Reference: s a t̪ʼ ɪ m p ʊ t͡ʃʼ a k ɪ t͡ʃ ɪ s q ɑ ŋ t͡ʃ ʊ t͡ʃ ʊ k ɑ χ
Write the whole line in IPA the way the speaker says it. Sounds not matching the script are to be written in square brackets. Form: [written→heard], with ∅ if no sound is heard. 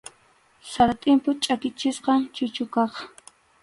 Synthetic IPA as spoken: s a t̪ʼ ɪ m p ʊ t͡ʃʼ a k ɪ t͡ʃ ɪ s q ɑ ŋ t͡ʃ ʊ t͡ʃ ʊ k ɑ χ